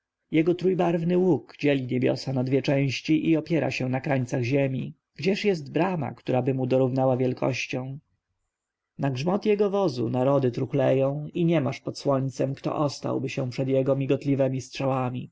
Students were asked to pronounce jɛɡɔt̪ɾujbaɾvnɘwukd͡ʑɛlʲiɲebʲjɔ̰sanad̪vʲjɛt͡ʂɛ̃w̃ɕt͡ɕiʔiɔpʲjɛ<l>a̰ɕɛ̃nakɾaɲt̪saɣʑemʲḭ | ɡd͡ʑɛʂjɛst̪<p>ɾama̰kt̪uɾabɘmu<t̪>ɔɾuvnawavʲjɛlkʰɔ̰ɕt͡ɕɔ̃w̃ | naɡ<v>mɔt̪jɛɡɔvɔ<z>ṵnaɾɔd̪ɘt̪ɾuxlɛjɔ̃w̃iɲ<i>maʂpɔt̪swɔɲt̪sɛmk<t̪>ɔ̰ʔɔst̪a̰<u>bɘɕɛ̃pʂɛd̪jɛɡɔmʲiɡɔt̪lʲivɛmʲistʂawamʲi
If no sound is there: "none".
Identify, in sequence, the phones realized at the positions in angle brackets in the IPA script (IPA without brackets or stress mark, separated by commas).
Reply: ɾ, b, d̪, ʐ, z, ɛ, t̪, w